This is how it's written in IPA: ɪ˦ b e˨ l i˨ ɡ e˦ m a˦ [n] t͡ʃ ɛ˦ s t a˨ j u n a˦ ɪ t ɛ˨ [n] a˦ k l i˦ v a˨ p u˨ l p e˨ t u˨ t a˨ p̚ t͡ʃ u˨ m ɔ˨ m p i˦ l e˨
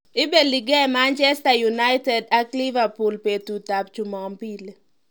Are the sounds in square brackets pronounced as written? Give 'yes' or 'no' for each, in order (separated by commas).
yes, no